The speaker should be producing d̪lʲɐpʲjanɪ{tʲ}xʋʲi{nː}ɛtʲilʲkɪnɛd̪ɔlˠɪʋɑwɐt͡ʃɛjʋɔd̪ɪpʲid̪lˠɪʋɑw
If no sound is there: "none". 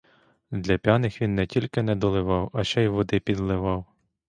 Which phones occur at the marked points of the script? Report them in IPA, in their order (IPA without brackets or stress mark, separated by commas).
none, nː